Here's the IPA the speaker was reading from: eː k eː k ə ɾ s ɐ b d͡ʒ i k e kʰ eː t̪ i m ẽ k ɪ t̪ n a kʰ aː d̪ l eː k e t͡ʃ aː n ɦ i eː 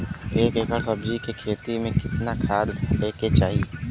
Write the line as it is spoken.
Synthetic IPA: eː k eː k ə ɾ s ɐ b d͡ʒ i k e kʰ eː t̪ i m ẽ k ɪ t̪ n a kʰ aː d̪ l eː k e t͡ʃ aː ɦ i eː